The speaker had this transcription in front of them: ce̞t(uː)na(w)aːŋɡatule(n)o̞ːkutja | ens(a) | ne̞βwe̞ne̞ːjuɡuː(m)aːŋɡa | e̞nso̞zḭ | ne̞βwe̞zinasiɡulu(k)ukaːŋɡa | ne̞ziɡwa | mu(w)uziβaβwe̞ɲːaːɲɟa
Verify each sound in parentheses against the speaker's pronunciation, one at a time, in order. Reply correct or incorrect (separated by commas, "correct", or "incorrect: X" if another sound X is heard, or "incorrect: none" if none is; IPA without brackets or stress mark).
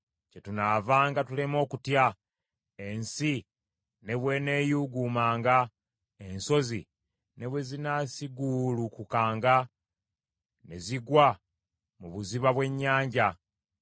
incorrect: u, incorrect: v, incorrect: m, incorrect: i, correct, correct, incorrect: β